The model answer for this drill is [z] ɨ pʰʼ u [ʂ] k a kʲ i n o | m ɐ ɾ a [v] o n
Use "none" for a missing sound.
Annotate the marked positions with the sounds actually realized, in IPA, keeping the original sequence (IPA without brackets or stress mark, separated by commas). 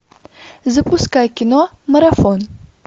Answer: z, s, f